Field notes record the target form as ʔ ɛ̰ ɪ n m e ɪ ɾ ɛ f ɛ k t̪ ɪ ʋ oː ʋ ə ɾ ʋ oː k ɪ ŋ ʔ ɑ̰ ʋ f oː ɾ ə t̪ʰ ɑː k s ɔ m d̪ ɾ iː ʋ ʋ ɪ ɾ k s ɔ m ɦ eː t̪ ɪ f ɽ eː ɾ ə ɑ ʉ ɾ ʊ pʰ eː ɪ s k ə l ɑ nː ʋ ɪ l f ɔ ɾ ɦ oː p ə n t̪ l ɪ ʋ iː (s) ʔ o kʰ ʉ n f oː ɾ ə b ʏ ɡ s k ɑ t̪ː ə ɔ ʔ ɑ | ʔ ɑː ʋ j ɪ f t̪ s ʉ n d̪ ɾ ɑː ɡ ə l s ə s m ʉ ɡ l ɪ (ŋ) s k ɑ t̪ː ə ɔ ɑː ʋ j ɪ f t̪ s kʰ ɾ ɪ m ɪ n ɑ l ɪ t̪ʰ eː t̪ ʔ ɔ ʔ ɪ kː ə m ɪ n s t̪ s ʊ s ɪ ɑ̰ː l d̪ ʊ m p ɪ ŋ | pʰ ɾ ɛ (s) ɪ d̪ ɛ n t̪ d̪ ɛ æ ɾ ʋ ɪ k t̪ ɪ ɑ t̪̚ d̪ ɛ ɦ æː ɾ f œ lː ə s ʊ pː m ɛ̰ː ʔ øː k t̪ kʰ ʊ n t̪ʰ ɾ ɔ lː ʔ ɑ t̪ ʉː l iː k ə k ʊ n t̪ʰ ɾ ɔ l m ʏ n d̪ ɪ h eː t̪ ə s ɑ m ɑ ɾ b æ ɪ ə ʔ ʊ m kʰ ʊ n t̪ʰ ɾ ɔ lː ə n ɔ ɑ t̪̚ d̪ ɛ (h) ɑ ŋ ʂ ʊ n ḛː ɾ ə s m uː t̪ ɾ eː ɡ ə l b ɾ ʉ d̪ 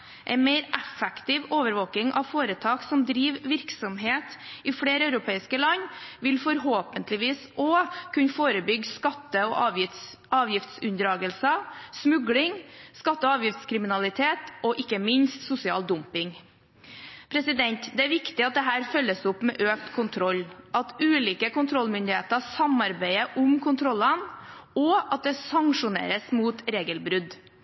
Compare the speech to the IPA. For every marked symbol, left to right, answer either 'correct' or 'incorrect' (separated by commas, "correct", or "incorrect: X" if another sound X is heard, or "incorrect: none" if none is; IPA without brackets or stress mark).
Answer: correct, correct, correct, incorrect: s